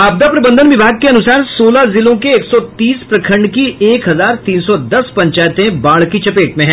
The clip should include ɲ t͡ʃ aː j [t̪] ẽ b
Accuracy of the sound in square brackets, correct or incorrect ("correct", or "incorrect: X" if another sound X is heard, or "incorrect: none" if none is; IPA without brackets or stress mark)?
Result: correct